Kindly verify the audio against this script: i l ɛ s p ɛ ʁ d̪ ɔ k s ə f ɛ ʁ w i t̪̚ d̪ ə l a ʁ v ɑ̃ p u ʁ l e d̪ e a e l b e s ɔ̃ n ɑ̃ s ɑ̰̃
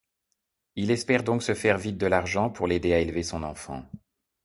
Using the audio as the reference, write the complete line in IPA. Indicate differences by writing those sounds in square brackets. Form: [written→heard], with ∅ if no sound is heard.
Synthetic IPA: i l ɛ s p ɛ ʁ d̪ [ɔ→ɔ̃] k s ə f ɛ ʁ [w→v] i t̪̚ d̪ ə l a ʁ [v→ʒ] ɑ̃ p u ʁ l e d̪ e a e l [b→v] e s ɔ̃ n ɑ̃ [s→f] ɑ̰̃